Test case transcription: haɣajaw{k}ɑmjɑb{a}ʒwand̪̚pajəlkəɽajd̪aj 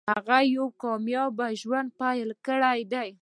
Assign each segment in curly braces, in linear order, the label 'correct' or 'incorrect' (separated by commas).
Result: correct, correct